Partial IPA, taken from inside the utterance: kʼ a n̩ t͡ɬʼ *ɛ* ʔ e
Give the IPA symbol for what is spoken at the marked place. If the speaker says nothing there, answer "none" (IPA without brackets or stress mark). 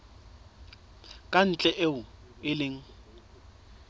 ɛ